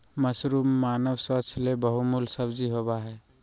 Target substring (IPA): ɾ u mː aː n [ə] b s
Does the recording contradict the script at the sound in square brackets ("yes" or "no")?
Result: no